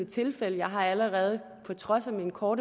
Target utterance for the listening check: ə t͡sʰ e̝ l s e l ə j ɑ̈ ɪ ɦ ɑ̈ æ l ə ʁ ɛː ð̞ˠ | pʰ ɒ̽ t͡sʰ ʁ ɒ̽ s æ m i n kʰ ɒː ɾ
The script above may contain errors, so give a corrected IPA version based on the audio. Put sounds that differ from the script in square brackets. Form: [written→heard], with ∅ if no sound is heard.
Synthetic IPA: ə t͡sʰ e̝ l [s→f] e l ə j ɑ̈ ɪ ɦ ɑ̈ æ l ə ʁ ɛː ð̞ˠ | pʰ ɒ̽ t͡sʰ ʁ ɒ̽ s æ m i n kʰ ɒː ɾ

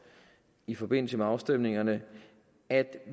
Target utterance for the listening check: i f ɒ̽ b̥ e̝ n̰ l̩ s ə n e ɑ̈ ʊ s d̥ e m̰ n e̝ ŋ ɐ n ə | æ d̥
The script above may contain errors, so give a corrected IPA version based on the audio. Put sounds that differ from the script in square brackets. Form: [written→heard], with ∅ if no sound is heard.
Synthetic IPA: i f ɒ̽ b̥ e̝ n̰ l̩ s ə [n→m] e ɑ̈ ʊ s d̥ e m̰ n e̝ ŋ ɐ n ə | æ d̥

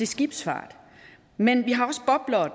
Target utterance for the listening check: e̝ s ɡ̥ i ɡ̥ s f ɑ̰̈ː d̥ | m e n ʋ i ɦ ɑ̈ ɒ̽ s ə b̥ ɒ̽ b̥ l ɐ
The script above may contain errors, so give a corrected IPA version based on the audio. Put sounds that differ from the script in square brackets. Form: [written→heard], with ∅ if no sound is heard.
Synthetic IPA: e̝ s ɡ̥ i [ɡ̥→b̥] s f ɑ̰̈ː d̥ | m e n ʋ i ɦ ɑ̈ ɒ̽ s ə b̥ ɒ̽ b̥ l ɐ

